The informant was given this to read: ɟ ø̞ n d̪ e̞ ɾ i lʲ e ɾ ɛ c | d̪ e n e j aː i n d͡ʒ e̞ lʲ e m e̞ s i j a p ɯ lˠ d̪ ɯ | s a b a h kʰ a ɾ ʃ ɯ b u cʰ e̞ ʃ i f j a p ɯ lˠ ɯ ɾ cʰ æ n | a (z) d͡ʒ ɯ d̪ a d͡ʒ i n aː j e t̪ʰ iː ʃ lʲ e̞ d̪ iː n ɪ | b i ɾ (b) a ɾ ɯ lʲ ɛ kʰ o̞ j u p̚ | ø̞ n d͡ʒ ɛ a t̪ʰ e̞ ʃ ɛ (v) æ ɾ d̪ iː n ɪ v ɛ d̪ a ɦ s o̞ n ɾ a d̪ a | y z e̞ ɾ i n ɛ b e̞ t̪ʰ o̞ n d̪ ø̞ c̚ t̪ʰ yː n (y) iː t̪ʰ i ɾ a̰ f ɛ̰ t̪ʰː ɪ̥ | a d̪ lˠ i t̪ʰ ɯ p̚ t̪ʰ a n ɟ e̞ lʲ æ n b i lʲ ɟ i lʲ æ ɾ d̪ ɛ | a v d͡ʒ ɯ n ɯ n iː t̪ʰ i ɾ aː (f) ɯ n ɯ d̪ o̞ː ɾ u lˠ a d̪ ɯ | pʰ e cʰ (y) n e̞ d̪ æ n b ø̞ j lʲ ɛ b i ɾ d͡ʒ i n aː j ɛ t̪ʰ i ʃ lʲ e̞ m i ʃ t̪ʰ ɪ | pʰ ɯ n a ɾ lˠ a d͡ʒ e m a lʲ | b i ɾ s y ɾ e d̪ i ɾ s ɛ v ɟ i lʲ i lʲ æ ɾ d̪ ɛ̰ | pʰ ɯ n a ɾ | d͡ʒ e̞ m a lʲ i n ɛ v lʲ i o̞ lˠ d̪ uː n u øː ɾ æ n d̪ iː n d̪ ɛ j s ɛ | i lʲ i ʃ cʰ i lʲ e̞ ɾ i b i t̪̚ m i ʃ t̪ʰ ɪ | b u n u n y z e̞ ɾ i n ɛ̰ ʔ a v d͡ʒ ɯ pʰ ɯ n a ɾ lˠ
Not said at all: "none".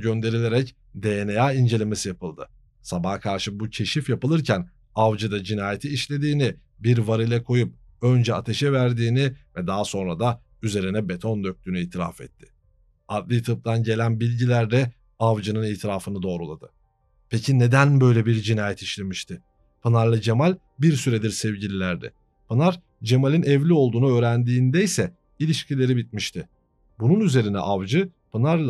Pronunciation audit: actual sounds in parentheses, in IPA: v, v, v, y, f, i

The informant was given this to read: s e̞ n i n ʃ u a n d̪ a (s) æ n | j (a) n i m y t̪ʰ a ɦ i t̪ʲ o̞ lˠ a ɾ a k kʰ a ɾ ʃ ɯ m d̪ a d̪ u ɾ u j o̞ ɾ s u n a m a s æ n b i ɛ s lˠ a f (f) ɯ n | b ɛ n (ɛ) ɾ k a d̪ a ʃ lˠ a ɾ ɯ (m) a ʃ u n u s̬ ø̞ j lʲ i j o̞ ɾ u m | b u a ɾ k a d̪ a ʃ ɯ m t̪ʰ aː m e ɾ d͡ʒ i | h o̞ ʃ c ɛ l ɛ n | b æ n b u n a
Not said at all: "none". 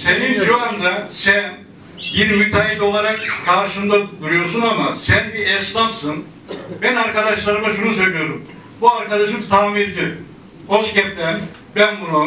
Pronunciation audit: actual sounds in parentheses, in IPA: s, i, s, a, m

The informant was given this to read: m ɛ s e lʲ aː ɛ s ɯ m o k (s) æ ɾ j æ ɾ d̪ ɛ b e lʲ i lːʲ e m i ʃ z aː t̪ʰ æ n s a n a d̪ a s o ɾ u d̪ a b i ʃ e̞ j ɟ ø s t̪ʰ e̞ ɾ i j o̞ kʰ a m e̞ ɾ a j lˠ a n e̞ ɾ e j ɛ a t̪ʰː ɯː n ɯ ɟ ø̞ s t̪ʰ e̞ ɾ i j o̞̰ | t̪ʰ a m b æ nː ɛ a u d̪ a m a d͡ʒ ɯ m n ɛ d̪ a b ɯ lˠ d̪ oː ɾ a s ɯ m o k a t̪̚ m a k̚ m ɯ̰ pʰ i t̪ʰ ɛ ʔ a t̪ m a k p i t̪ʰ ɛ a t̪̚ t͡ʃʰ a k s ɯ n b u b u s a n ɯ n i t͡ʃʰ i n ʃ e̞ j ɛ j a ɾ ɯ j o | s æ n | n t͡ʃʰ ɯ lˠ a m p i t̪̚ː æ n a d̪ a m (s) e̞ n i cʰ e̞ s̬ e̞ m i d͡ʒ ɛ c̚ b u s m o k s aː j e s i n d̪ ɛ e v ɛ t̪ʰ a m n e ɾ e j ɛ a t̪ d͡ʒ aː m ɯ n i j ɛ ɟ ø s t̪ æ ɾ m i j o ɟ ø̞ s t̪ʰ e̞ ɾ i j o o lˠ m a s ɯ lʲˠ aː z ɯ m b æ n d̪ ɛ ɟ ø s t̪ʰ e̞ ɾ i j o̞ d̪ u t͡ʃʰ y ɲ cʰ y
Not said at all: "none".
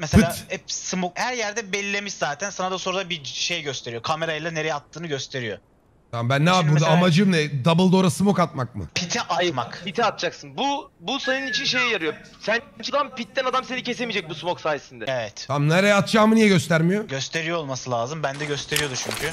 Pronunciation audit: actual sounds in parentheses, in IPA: h, s

